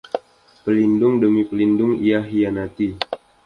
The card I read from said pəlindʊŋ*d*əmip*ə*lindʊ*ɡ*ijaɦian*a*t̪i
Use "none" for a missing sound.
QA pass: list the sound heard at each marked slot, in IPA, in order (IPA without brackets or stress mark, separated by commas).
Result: d, ə, ŋ, a